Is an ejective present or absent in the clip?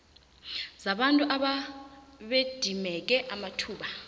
present